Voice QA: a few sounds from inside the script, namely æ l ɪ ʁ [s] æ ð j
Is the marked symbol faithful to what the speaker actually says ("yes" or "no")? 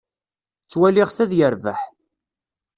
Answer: no